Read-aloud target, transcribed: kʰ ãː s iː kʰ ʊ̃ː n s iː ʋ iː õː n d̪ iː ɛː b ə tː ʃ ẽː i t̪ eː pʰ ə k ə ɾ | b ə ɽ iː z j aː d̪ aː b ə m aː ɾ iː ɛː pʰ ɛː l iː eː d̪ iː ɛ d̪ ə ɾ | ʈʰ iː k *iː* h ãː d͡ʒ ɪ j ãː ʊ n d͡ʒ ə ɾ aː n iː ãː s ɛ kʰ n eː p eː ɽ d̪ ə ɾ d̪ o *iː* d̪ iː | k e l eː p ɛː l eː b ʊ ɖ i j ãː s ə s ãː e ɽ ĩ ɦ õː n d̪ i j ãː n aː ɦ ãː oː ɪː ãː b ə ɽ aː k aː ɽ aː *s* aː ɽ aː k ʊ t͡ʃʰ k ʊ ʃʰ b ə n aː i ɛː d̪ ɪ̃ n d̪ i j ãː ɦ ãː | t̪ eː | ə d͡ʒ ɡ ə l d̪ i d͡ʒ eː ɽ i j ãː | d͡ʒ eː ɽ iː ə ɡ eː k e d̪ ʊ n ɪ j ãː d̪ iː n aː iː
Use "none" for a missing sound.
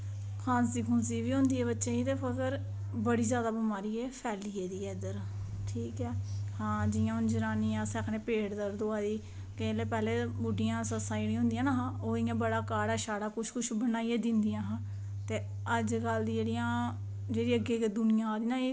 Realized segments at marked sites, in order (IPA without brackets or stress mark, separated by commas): ɛː, aː, ʃ